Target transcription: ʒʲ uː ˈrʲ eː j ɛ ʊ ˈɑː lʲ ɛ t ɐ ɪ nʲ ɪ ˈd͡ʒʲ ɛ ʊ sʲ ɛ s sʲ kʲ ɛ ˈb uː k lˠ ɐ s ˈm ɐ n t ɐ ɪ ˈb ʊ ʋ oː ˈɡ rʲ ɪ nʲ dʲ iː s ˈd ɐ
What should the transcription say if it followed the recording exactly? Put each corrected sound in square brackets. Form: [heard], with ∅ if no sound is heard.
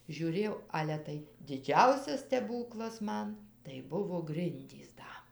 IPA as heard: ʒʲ uː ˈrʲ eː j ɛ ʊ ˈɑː lʲ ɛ t ɐ ɪ [dʲ] ɪ ˈd͡ʒʲ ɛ ʊ sʲ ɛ s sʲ [tʲ] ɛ ˈb uː k lˠ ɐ s ˈm ɐ n t ɐ ɪ ˈb ʊ ʋ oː ˈɡ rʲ ɪ nʲ dʲ iː s ˈd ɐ